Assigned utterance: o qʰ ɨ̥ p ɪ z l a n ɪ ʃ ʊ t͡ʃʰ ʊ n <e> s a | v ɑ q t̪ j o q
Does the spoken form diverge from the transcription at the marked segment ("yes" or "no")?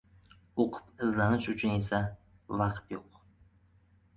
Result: no